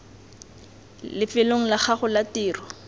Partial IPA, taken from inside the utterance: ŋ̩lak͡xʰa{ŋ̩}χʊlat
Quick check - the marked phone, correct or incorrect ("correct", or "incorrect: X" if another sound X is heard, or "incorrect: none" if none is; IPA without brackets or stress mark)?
incorrect: none